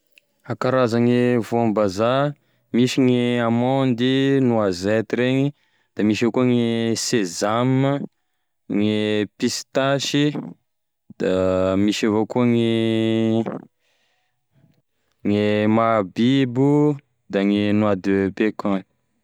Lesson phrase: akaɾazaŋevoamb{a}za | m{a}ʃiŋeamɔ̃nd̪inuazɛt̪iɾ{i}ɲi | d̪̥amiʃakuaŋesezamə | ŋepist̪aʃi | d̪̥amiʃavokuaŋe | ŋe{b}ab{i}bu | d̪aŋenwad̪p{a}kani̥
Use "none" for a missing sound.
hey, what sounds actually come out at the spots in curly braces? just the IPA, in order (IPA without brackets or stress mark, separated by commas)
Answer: a, i, e, m, i, e